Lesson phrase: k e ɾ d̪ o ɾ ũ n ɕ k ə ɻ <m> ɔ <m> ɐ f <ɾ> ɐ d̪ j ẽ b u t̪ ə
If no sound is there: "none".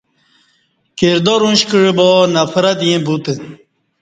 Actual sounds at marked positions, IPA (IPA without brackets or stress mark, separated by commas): b, n, ɾ